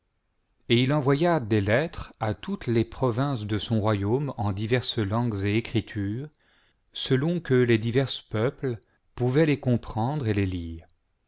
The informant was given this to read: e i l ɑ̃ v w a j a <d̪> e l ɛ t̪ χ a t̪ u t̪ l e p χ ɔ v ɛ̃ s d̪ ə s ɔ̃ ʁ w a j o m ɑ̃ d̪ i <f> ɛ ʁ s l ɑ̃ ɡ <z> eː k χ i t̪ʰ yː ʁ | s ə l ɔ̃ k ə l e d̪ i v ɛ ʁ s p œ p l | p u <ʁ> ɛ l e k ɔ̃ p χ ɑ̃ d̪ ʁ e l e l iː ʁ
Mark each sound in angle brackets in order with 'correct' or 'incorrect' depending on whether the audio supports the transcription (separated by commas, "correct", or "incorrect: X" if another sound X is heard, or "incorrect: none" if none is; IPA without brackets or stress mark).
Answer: correct, incorrect: v, correct, incorrect: v